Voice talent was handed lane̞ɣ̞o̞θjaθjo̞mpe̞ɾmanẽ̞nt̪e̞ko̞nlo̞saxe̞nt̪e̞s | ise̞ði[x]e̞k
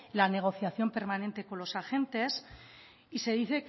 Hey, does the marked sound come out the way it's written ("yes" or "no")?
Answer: no